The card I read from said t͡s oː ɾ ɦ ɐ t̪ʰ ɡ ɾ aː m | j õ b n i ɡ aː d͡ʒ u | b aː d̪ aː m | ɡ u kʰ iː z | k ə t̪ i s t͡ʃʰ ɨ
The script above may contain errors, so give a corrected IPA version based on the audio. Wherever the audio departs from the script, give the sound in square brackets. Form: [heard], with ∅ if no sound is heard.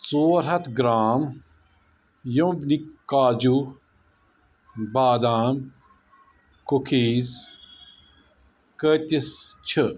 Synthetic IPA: t͡s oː ɾ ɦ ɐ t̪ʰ ɡ ɾ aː m | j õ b n i [k] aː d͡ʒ u | b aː d̪ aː m | [k] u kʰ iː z | k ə t̪ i s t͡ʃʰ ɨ

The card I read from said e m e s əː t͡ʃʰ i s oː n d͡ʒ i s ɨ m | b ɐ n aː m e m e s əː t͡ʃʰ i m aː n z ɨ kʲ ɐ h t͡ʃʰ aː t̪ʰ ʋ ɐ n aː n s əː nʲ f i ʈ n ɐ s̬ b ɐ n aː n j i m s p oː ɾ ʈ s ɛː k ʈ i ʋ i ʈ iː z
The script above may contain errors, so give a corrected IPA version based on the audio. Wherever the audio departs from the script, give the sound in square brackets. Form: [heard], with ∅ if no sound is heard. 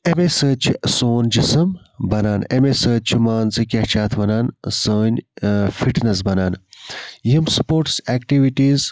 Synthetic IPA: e m e s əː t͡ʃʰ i s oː n d͡ʒ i s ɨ m | b ɐ n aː [n] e m e s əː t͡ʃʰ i m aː n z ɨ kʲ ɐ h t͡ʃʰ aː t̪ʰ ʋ ɐ n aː n s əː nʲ f i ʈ n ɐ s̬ b ɐ n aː n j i m s p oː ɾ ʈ s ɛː k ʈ i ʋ i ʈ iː z

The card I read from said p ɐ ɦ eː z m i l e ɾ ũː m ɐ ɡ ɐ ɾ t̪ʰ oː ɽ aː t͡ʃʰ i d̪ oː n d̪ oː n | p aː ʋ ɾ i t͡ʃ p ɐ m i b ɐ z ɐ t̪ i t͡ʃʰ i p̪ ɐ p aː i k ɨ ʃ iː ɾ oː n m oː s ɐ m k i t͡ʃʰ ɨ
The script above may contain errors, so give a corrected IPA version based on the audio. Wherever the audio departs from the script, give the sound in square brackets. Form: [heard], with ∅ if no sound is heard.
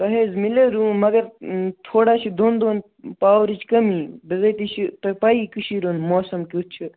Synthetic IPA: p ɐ ɦ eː z m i l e ɾ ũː m ɐ ɡ ɐ ɾ t̪ʰ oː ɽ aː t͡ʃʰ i d̪ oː n d̪ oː n | p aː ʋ ɾ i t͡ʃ [k] ɐ m i b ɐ z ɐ t̪ i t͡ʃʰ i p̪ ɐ p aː i k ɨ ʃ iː ɾ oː n m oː s ɐ m k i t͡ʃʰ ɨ

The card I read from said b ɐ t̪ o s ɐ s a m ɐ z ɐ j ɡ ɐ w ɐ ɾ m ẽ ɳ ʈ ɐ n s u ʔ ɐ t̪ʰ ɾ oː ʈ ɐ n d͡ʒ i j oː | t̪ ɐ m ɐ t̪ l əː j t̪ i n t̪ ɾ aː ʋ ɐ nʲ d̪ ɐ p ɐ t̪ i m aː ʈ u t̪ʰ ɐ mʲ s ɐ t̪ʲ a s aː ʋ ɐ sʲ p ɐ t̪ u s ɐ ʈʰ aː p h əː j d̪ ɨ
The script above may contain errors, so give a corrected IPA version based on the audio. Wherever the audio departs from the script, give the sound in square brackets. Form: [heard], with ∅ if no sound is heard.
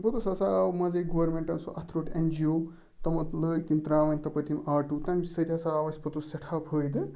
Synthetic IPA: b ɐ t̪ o s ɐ s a m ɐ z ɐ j ɡ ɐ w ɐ ɾ m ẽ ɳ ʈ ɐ n s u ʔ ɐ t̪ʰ ɾ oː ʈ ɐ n d͡ʒ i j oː | t̪ ɐ m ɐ t̪ l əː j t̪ i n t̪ ɾ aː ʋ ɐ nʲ [t̪] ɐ p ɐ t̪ i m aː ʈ u [t̪] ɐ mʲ s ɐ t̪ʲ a s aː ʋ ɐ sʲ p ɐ t̪ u s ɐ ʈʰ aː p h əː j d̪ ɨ

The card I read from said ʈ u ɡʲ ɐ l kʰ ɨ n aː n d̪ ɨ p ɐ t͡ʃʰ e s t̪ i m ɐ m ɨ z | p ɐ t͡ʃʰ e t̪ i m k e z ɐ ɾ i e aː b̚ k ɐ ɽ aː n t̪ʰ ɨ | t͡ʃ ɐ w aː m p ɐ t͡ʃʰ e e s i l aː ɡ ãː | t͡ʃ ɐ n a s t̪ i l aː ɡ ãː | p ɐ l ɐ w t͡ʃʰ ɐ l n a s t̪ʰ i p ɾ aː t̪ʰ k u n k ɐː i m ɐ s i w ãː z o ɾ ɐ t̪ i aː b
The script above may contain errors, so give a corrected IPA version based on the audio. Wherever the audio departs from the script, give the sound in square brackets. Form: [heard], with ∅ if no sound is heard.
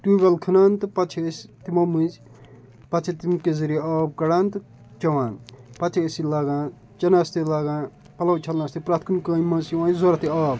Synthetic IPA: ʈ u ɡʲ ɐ l kʰ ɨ n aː n [t̪] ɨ p ɐ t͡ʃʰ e s t̪ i m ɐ m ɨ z | p ɐ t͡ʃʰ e t̪ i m k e z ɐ ɾ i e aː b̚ k ɐ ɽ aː n [t̪] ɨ | t͡ʃ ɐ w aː [n] p ɐ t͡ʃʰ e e s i l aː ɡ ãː | t͡ʃ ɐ n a s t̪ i l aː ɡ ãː | p ɐ l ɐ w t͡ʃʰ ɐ l n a s [t̪] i p ɾ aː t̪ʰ k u n k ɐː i m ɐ s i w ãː z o ɾ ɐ t̪ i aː b

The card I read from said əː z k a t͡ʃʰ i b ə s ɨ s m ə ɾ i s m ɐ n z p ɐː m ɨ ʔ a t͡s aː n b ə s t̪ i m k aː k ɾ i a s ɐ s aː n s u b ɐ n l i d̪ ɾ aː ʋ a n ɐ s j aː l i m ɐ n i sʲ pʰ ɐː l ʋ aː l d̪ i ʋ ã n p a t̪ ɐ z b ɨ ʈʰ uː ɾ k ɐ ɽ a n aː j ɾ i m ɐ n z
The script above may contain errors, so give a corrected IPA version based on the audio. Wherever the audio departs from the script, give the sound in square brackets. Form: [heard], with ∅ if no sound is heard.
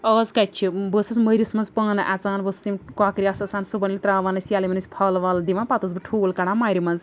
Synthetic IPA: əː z k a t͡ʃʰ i b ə s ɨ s m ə ɾ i s m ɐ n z p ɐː [n] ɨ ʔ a t͡s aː n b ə s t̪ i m k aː k ɾ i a s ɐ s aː n s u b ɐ n l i [t̪] ɾ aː ʋ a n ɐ s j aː l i m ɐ n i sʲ pʰ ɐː l ʋ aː l d̪ i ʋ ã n p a t̪ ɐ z b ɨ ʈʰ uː [l] k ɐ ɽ a [m] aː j ɾ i m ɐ n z

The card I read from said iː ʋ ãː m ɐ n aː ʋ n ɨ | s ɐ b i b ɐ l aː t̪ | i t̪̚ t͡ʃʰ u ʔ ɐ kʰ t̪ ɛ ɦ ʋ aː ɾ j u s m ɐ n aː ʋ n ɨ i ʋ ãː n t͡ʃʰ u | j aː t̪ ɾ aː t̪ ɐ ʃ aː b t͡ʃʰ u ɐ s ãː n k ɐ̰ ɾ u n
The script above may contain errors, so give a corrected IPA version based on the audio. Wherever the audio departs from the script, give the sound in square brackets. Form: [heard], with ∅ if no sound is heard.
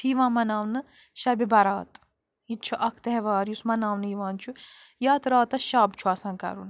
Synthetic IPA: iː ʋ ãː m ɐ n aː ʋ n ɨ | [ʃ] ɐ b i b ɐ [ɾ] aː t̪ | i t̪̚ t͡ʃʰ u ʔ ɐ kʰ t̪ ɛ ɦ ʋ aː ɾ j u s m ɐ n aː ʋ n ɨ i ʋ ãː n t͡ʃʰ u | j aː t̪ ɾ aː t̪ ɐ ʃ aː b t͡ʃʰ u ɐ s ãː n k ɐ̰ ɾ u n

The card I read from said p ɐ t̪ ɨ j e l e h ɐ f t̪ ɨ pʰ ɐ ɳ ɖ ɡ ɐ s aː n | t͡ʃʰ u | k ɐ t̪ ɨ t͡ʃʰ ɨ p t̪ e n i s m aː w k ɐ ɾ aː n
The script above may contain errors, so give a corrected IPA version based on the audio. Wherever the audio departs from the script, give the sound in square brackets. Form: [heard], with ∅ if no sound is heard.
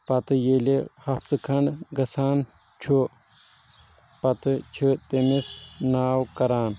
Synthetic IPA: p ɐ t̪ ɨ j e l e h ɐ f t̪ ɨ [kʰ] ɐ ɳ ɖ ɡ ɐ s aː n | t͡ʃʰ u | [p] ɐ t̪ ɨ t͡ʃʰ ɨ [∅] t̪ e [m] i s [n] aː w k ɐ ɾ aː n

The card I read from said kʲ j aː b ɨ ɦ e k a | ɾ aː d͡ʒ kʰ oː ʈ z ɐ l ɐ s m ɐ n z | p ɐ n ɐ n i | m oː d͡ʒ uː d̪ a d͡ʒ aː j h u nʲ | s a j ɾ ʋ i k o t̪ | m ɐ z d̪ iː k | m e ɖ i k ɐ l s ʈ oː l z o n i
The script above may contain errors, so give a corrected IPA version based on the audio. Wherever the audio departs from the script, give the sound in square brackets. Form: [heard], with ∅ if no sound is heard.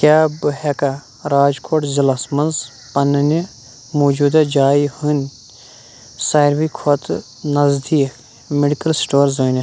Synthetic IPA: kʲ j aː b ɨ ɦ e k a | ɾ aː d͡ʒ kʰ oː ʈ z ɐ l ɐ s m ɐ n z | p ɐ n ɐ n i | m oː d͡ʒ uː d̪ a d͡ʒ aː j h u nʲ | s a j ɾ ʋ i [kʰ] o t̪ | [n] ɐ z d̪ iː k | m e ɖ i k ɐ l s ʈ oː [ɾ] z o n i

